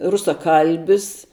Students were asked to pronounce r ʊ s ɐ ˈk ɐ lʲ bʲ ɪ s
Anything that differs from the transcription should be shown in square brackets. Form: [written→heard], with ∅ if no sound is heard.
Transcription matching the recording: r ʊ s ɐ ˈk ɐ lʲ bʲ ɪ s